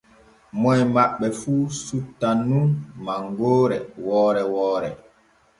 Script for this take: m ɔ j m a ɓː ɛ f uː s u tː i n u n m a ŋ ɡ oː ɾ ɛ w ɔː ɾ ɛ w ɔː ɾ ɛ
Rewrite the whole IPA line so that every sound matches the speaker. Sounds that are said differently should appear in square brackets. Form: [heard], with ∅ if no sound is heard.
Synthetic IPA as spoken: m ɔ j m a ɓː ɛ f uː s u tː [a] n u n m a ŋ ɡ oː ɾ ɛ w ɔː ɾ ɛ w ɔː ɾ ɛ